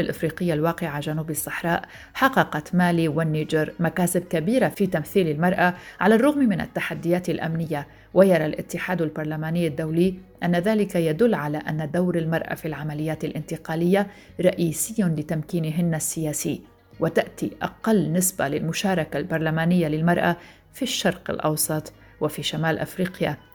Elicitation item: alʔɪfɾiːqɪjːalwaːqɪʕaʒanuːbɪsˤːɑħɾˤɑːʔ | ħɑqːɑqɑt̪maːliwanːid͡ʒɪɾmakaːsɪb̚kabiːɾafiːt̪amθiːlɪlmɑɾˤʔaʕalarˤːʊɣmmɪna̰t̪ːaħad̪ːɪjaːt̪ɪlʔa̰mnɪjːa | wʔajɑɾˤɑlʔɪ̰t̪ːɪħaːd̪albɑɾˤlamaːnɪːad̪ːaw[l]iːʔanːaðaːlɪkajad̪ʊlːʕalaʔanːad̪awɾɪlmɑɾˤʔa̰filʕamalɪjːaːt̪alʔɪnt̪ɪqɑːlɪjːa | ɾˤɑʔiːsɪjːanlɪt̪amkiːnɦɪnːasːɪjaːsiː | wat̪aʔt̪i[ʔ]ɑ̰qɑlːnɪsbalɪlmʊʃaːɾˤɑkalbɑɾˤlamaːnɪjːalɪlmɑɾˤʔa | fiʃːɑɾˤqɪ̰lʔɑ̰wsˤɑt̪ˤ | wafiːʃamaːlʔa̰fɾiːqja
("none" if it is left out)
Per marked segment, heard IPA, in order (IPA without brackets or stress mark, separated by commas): l, ʔ